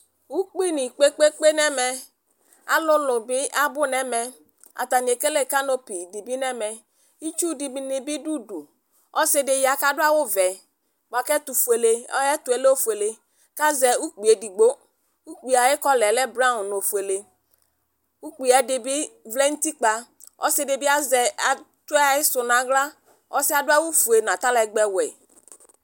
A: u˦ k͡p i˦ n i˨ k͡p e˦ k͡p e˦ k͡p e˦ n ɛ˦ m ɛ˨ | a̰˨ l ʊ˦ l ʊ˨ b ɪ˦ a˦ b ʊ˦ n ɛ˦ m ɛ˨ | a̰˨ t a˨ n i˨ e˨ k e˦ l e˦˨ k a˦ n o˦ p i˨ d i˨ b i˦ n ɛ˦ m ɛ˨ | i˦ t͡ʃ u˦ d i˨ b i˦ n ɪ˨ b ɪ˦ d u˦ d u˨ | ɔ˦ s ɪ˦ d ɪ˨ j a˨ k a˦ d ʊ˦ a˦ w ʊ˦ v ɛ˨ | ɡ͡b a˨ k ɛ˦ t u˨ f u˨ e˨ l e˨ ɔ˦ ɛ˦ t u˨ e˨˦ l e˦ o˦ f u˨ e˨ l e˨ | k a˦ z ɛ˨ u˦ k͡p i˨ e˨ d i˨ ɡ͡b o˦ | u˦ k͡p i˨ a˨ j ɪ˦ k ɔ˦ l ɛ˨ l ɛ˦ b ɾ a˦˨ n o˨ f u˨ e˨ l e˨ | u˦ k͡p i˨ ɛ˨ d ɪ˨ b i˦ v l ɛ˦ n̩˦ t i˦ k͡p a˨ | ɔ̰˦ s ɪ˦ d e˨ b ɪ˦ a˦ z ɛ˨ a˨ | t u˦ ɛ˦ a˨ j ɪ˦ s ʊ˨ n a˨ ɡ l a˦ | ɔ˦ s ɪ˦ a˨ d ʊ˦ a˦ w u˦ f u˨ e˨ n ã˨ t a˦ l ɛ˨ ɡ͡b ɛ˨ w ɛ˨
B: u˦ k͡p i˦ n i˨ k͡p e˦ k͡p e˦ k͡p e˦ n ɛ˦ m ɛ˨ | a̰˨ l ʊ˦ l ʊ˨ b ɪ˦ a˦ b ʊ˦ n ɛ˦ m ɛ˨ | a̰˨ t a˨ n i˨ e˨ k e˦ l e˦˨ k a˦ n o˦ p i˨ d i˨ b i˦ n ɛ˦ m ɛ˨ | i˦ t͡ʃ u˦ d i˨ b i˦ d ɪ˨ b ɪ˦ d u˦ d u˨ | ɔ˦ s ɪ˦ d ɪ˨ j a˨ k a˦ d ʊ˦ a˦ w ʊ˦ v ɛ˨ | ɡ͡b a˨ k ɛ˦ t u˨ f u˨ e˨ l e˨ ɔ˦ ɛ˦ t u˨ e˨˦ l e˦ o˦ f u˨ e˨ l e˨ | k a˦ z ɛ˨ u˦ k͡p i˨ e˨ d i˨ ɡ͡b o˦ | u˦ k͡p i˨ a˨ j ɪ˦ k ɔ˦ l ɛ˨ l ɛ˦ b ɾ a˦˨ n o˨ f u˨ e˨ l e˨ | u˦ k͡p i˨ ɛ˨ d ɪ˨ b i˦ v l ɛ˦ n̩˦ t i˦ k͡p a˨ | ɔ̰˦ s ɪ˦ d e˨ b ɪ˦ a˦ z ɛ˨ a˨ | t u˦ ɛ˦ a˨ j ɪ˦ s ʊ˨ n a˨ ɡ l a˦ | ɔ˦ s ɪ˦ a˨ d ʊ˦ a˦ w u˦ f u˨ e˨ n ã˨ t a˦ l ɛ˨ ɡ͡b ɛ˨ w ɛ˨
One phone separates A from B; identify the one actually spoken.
A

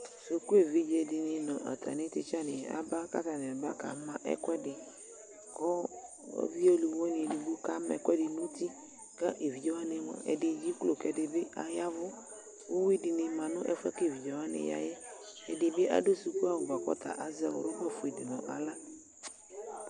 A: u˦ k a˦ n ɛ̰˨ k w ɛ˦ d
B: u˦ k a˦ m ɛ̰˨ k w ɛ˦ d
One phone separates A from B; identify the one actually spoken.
B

